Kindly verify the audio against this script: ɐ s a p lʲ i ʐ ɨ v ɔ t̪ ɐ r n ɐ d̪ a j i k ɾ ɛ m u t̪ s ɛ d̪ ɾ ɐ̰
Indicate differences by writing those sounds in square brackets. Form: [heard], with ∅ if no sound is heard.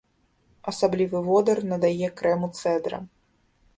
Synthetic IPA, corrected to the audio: ɐ s a [b] lʲ i [v] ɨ v ɔ [d̪] ɐ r n ɐ d̪ a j [ɛ] k ɾ ɛ m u t̪ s ɛ d̪ ɾ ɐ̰